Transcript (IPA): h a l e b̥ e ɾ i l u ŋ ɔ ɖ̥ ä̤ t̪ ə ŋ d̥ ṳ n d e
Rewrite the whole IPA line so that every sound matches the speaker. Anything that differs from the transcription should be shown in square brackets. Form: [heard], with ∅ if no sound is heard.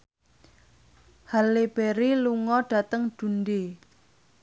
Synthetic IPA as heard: h a l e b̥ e ɾ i l u ŋ ɔ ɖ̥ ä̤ t̪ ə ŋ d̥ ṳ n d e